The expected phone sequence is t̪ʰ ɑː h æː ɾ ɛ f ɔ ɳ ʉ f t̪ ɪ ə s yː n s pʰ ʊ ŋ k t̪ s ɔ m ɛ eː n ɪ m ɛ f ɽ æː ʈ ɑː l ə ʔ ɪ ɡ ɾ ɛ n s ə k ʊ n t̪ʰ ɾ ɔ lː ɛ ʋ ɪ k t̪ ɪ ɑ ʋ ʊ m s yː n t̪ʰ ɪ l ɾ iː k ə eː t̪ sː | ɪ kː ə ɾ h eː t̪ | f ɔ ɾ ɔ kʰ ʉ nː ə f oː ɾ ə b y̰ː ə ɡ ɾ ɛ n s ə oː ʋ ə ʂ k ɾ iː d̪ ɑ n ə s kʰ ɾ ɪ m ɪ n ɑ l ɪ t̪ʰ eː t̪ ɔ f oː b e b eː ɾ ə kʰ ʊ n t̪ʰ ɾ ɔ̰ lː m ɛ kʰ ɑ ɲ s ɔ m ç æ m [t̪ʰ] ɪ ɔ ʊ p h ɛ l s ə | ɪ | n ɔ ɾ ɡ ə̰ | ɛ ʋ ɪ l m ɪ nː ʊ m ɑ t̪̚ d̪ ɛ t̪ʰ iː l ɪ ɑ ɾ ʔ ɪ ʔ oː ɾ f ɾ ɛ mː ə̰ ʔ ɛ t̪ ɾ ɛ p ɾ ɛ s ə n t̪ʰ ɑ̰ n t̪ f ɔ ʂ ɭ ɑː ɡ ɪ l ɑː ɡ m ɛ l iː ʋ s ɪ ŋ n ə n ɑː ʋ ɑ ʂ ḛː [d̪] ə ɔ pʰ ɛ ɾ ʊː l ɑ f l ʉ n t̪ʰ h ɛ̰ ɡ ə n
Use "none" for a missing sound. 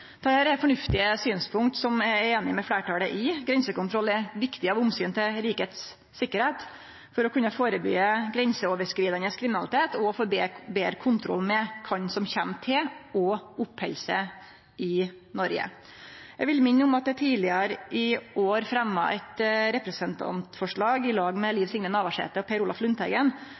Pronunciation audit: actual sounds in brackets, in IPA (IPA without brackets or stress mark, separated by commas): t̪ʰ, t̪